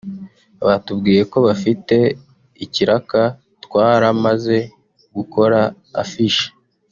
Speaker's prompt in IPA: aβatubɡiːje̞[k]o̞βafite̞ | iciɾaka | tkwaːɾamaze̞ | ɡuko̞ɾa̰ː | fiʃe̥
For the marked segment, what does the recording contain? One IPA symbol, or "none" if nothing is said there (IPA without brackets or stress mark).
k